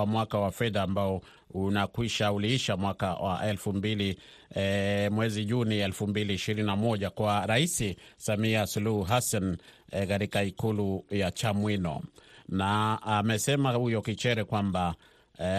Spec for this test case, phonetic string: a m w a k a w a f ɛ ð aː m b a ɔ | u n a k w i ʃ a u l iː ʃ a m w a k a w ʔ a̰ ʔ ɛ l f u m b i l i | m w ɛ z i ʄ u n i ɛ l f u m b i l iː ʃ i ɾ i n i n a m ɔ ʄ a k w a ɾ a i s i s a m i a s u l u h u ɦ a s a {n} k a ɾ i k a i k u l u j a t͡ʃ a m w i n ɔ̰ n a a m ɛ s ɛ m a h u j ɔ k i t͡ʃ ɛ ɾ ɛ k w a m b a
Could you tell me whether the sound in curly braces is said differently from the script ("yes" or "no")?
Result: no